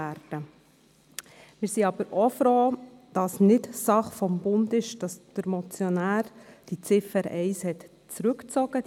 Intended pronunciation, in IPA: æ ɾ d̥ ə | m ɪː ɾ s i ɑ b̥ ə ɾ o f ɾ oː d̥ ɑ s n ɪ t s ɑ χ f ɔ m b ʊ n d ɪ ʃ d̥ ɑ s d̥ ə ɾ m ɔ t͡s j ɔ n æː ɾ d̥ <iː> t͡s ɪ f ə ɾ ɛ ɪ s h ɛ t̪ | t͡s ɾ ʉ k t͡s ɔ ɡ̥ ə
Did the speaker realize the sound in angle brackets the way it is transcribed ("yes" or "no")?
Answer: no